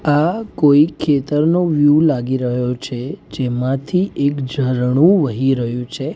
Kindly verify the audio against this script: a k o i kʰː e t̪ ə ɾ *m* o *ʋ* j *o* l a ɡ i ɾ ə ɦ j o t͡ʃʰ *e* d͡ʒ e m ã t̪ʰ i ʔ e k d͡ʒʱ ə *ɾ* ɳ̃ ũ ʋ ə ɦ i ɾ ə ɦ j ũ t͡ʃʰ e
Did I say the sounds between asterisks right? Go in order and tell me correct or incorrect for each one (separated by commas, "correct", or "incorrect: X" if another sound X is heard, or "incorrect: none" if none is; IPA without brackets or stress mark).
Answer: incorrect: n, correct, incorrect: u, correct, correct